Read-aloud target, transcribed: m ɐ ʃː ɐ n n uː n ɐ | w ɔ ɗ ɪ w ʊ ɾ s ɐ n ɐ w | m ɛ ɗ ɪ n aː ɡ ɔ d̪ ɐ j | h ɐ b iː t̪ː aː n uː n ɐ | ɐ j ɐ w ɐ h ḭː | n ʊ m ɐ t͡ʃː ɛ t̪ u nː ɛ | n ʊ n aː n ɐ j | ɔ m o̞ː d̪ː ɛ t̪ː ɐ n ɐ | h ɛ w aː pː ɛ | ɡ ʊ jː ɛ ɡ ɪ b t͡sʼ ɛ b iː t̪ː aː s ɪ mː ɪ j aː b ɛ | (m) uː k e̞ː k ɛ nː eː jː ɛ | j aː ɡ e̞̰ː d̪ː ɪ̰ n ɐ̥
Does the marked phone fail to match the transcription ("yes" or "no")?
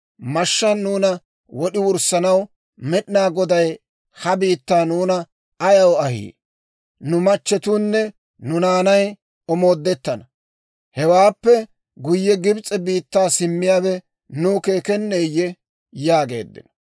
yes